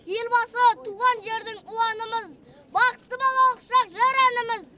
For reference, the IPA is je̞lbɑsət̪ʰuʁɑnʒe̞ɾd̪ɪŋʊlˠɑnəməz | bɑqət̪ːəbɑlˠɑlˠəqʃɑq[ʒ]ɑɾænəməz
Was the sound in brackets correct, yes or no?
yes